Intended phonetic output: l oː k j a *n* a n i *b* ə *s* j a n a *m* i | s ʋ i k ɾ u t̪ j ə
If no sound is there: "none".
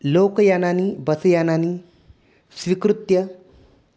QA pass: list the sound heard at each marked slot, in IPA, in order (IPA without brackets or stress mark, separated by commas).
n, b, s, n